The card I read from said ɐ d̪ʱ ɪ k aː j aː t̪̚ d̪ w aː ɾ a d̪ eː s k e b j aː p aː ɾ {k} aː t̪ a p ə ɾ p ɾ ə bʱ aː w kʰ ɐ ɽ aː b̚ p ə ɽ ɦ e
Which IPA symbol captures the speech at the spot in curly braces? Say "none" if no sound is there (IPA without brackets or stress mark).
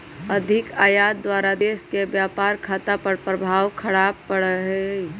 kʰ